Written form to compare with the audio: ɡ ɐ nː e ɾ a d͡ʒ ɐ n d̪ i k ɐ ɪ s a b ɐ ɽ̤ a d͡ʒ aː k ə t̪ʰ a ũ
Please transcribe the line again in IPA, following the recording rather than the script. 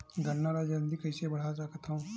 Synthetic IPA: ɡ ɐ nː a ɾ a d͡ʒ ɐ n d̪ i k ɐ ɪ s e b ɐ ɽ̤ a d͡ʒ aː k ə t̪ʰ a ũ

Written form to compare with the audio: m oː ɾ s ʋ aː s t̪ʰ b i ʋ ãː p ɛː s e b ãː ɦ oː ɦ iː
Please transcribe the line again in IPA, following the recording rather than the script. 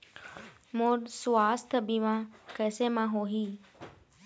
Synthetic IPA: m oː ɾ s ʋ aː s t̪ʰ b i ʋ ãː k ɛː s e m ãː ɦ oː ɦ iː

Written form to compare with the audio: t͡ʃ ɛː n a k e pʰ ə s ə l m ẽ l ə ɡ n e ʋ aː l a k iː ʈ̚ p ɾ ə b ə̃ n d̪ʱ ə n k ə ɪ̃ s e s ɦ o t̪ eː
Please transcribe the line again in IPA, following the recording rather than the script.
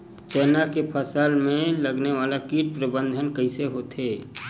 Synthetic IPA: t͡ʃ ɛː n a k e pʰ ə s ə l m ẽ l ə ɡ n e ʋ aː l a k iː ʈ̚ p ɾ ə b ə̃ n d̪ʱ ə n k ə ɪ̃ s e ɦ o t̪ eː

